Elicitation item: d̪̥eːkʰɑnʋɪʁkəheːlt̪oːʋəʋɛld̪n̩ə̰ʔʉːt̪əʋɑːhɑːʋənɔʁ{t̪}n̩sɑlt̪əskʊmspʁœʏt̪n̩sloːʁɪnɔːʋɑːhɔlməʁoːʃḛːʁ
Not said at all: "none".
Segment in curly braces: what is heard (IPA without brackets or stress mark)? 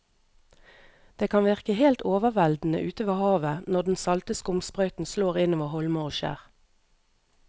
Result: d̪